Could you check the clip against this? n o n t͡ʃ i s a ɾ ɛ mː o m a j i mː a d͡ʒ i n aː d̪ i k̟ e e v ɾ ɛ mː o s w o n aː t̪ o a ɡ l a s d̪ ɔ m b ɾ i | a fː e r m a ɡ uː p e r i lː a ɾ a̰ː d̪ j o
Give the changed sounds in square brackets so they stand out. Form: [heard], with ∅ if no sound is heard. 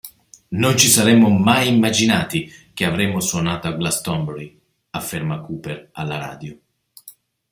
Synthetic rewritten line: n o n t͡ʃ i s a ɾ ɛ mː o m a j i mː a d͡ʒ i n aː [t̪] i k̟ e [a] v ɾ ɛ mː o s w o n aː t̪ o a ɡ l a s [t̪] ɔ m b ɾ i | a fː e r m a [k] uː p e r [a] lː a ɾ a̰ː d̪ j o

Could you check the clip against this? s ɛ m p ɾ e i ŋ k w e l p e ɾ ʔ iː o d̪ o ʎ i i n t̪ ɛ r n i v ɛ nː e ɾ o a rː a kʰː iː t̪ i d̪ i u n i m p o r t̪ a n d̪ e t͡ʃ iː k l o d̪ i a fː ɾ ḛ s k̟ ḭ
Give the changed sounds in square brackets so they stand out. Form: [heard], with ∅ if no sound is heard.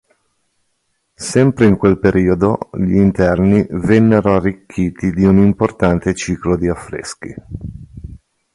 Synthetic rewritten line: s ɛ m p ɾ e i ŋ k w e l p e ɾ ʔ iː o d̪ o ʎ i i n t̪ ɛ r n i v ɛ nː e ɾ o a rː [i] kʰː iː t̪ i d̪ i u n i m p o r t̪ a n [t̪] e t͡ʃ iː k l o d̪ i a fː ɾ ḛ s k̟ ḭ

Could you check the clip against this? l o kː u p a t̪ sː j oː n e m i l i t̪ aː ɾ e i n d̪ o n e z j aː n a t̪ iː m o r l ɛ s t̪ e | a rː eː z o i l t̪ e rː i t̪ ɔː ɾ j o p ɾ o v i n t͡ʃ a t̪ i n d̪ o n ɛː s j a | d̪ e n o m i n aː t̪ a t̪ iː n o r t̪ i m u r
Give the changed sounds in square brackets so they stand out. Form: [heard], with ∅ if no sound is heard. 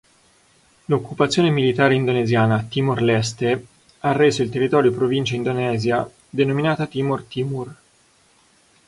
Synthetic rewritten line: l o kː u p a t̪ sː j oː n e m i l i t̪ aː ɾ e i n d̪ o n e z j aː n a t̪ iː m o r l ɛ s t̪ e | a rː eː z o i l t̪ e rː i t̪ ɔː ɾ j o p ɾ o v i n t͡ʃ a [∅] i n d̪ o n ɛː [z] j a | d̪ e n o m i n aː t̪ a t̪ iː [m] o r t̪ i m u r

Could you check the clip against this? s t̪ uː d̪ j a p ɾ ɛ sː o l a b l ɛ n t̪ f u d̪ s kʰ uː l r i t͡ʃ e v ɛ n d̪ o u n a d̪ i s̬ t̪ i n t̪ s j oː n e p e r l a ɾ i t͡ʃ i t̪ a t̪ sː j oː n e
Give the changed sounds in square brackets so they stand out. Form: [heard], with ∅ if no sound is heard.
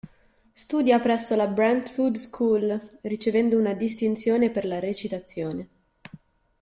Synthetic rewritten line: s t̪ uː d̪ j a p ɾ ɛ sː o l a b [ɾ] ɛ n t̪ f u d̪ s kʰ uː l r i t͡ʃ e v ɛ n d̪ o u n a d̪ i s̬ t̪ i n t̪ s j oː n e p e r l a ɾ [e] t͡ʃ i t̪ a t̪ sː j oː n e

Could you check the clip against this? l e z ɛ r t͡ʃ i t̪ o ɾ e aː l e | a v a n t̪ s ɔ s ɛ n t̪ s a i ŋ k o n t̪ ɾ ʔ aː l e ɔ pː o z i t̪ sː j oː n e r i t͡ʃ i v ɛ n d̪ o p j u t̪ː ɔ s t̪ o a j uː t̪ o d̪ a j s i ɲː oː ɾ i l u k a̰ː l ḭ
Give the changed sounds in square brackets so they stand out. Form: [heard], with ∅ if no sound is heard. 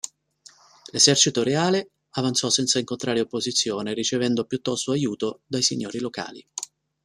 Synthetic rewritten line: l e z ɛ r t͡ʃ i t̪ o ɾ e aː l e | a v a n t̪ s ɔ s ɛ n t̪ s a i ŋ k o n t̪ ɾ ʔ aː [ɾ] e [o] pː o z i t̪ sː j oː n e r i t͡ʃ [e] v ɛ n d̪ o p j u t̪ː ɔ s t̪ o a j uː t̪ o d̪ a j s i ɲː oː ɾ i l [o] k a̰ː l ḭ

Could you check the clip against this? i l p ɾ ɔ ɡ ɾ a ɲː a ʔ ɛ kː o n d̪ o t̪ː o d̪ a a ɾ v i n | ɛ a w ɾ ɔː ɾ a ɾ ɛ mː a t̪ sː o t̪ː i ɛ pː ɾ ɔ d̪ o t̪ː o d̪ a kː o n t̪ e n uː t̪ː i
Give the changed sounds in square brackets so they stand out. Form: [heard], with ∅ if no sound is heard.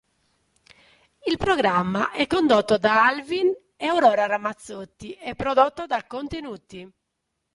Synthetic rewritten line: i l p ɾ ɔ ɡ ɾ a [mː] a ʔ ɛ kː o n d̪ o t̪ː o d̪ a a [l] v i n | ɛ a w ɾ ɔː ɾ a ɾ [a] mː a t̪ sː o t̪ː i ɛ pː ɾ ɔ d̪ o t̪ː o d̪ a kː o n t̪ e n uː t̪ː i

